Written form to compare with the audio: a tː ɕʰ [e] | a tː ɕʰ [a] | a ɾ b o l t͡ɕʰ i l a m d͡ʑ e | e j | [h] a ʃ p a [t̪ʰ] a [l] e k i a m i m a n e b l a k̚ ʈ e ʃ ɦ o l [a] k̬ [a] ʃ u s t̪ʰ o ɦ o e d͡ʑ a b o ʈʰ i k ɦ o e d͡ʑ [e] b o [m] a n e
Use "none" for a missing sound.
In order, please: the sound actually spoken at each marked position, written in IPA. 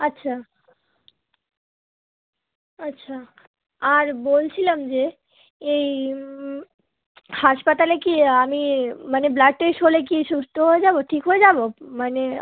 a, a, h, t̪, l, e, i, a, m

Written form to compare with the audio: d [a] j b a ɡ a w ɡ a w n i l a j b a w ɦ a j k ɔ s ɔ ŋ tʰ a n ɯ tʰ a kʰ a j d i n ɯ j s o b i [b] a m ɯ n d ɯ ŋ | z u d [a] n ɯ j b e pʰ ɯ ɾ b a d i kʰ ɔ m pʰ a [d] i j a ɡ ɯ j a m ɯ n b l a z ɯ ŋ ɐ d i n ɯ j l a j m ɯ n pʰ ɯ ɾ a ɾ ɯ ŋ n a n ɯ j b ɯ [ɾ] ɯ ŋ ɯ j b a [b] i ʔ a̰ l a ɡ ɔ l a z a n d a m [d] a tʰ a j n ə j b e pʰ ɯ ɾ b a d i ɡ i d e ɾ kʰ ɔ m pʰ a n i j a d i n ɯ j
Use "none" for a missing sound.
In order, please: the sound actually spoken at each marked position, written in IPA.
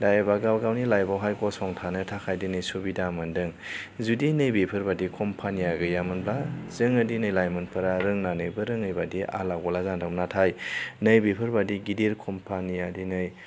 a, d, i, n, ɾ, d, n

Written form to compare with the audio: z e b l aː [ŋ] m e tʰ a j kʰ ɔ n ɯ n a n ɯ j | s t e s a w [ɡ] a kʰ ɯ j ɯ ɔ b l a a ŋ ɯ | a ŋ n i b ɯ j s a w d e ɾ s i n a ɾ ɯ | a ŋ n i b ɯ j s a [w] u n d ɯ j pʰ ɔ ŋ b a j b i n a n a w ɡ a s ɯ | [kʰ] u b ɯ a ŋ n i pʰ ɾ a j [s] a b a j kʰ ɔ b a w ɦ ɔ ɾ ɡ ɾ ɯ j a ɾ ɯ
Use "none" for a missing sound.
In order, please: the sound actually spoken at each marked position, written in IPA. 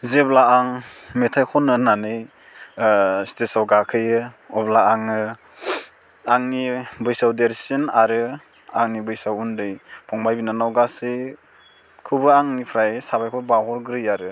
ŋ, ɡ, w, kʰ, s

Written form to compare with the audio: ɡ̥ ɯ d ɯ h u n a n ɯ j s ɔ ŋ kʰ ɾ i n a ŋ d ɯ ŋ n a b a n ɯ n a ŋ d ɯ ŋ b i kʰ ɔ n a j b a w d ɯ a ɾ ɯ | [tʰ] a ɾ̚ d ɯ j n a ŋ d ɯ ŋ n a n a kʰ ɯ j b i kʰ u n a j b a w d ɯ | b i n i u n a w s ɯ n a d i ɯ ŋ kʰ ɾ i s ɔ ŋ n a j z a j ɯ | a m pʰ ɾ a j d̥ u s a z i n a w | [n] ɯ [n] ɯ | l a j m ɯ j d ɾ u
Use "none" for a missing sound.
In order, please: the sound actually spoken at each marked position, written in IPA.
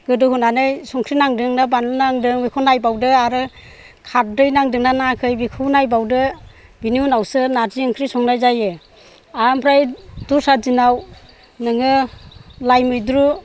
kʰ, n, ŋ

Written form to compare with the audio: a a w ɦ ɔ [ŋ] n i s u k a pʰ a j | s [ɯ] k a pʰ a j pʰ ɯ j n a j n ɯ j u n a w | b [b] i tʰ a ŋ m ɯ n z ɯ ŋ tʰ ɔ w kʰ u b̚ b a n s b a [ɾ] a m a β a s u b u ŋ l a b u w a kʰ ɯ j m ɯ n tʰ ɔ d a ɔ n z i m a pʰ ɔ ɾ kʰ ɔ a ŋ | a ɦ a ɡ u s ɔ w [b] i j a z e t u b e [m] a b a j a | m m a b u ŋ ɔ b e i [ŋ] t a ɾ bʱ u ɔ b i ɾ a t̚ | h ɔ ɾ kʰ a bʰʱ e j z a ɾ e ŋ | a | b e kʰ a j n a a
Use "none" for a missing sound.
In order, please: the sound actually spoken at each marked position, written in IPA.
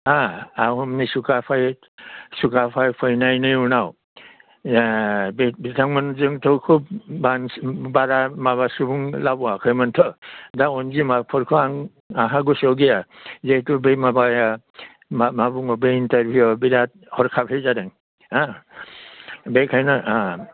m, u, b, ɾ, ɡ, m, n

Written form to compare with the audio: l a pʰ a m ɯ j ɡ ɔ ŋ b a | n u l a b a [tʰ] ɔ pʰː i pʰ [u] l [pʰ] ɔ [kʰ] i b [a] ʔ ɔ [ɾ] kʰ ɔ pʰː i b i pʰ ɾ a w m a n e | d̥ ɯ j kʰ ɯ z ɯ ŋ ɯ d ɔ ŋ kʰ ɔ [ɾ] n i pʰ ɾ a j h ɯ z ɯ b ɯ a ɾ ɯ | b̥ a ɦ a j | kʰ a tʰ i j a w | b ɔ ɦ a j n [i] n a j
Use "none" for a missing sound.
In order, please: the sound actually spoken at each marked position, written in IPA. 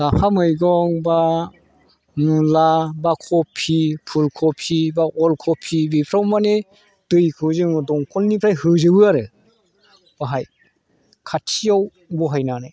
kʰ, u, kʰ, pʰ, a, l, l, a

